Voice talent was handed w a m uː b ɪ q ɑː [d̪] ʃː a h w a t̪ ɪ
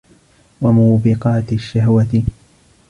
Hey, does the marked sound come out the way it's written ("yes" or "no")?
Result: no